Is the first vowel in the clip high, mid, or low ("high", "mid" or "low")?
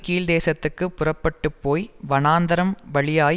high